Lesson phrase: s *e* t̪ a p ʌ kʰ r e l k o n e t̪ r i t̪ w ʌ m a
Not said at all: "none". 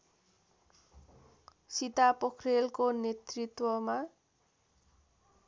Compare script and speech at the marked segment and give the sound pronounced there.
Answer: i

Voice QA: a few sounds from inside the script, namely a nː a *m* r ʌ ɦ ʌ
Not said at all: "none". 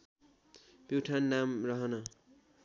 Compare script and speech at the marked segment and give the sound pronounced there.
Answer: m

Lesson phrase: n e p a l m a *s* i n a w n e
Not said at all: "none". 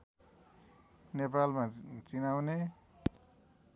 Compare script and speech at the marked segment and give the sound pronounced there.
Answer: t͡s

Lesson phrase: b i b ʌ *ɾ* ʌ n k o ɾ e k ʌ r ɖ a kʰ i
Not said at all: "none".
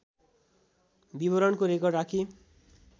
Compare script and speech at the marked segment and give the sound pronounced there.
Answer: ɾ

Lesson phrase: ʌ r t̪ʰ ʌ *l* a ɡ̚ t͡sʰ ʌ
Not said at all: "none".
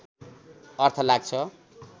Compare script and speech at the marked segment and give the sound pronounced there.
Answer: l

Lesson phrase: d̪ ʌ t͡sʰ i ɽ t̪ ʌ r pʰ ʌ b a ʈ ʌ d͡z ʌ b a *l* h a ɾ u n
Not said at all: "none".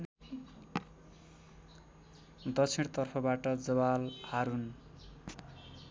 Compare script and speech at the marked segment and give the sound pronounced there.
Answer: l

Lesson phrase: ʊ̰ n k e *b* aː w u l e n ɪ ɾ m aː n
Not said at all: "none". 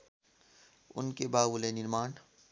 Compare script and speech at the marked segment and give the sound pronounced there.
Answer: b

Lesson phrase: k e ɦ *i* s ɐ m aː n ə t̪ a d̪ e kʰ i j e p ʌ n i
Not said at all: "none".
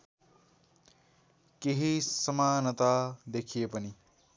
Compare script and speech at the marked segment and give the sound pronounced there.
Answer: i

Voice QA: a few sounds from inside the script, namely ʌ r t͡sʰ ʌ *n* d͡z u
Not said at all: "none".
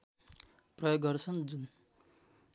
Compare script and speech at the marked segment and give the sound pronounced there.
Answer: n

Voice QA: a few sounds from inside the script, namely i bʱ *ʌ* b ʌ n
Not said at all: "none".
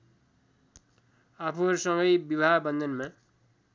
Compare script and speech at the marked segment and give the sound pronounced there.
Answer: a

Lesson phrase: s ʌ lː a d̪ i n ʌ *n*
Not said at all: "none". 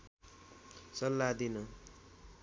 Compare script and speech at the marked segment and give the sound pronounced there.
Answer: none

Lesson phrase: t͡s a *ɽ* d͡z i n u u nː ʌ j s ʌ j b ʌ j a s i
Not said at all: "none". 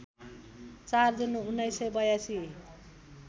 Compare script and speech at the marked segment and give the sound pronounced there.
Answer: r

